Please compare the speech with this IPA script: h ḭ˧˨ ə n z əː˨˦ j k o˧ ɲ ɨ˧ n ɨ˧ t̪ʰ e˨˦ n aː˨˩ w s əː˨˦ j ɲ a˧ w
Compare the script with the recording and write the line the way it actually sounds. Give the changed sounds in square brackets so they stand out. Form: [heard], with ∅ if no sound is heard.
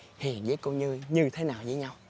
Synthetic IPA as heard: h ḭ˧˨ ə n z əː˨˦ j k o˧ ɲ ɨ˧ [ɲ] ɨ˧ t̪ʰ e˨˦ n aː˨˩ w [z] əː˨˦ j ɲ a˧ w